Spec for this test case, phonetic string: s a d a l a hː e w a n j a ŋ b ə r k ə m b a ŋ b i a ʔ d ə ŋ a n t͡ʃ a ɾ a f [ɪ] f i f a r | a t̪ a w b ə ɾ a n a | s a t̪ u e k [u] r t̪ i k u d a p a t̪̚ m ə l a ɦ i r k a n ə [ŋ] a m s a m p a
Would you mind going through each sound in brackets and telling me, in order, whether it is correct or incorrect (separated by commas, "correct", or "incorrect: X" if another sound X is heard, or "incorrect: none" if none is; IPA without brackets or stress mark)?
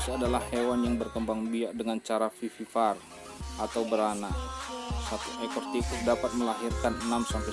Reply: incorrect: i, incorrect: ɔ, incorrect: n